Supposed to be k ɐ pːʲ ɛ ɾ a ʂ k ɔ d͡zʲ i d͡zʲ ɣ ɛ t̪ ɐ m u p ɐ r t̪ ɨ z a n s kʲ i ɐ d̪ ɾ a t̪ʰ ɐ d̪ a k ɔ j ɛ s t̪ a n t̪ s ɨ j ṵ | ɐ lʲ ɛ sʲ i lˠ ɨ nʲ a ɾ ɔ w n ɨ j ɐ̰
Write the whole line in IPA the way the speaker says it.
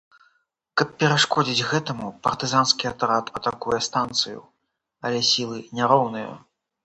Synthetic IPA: k ɐ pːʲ ɛ ɾ a ʂ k ɔ d͡zʲ i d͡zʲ ɣ ɛ t̪ ɐ m u p ɐ r t̪ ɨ z a n s kʲ i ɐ t̪ ɾ a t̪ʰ ɐ t̪ a k u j ɛ s t̪ a n t̪ s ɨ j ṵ | ɐ lʲ ɛ sʲ i lˠ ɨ nʲ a ɾ ɔ w n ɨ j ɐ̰